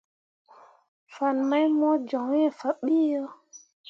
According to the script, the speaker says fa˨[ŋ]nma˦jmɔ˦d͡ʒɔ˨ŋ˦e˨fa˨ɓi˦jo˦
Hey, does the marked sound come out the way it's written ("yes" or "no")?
no